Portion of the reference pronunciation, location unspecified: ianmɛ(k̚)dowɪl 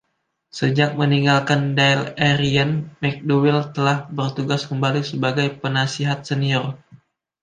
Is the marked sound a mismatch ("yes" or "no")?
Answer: no